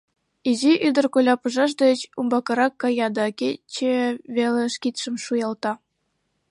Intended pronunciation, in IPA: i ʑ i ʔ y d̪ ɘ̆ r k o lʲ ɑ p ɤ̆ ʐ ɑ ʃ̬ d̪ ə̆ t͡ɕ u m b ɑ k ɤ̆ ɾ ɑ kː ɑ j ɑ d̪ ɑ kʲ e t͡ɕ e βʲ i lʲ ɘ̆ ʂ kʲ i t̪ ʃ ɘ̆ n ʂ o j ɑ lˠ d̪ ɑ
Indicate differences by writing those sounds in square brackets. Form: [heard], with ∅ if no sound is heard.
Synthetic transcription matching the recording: i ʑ i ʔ y d̪ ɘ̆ r k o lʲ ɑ p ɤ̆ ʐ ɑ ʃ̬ d̪ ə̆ t͡ɕ u m b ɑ k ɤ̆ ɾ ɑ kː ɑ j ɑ d̪ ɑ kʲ e t͡ɕ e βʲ [e] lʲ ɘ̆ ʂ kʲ i t̪ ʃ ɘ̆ [m] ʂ [u] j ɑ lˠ [t̪] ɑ